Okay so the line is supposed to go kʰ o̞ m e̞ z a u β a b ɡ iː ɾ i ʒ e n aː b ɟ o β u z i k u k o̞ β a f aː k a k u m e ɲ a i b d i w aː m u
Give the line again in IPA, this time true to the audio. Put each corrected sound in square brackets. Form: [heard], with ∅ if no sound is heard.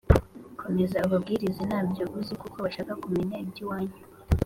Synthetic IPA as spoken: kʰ o̞ m e̞ z a u β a b ɡ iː ɾ i [z] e n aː b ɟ o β u z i k u k o̞ β a [ʃ] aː k a k u m e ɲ a i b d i w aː [ɲ] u